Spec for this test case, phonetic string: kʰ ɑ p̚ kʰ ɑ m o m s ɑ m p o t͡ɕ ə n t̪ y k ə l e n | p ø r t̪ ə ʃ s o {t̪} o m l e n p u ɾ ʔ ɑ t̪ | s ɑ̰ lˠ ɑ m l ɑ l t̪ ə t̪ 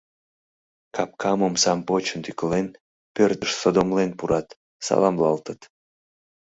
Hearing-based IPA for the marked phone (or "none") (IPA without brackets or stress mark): d̪